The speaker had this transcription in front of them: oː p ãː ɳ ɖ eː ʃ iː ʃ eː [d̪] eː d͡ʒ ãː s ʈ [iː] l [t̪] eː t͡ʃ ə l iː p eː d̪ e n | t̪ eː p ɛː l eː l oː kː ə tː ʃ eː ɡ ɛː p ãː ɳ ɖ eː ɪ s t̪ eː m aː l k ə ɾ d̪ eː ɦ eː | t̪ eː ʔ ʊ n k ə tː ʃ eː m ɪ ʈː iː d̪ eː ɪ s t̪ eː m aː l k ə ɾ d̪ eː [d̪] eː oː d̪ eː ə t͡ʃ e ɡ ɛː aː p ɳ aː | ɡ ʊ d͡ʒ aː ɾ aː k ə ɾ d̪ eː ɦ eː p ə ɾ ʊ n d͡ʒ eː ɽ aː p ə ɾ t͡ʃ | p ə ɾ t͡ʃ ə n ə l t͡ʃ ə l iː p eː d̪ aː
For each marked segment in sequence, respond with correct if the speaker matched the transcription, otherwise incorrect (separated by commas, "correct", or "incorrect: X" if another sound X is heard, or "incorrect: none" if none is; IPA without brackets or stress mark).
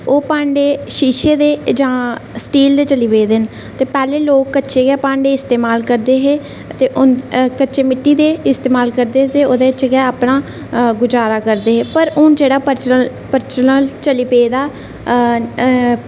correct, correct, incorrect: d̪, incorrect: t̪